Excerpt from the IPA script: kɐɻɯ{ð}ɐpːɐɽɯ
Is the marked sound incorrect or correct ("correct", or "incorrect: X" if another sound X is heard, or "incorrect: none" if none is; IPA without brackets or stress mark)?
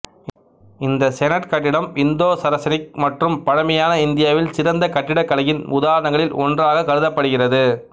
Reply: correct